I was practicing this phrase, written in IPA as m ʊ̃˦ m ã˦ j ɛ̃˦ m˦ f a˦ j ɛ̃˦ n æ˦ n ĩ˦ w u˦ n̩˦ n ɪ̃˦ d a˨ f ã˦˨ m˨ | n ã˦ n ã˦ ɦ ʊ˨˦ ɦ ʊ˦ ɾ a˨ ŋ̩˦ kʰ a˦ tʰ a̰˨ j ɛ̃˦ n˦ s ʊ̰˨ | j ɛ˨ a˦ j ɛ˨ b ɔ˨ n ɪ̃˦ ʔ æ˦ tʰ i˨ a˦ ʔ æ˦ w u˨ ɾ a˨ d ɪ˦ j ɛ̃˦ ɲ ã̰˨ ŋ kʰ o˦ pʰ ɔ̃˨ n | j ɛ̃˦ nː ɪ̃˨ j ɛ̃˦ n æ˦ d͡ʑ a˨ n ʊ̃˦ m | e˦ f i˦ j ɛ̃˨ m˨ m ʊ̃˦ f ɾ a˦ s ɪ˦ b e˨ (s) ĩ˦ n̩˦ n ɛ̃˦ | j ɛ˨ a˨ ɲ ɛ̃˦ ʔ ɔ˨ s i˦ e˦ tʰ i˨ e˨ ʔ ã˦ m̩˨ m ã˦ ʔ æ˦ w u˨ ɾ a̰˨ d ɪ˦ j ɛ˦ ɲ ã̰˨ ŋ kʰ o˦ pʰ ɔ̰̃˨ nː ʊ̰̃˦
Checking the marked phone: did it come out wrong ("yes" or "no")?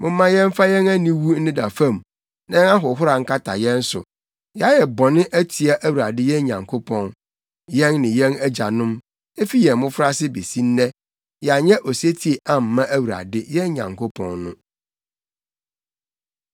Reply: no